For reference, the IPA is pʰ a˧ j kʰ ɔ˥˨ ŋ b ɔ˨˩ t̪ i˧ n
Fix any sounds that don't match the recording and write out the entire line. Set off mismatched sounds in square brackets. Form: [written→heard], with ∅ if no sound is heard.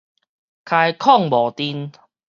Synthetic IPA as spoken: [pʰ→kʰ] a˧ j kʰ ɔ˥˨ ŋ b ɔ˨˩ t̪ i˧ n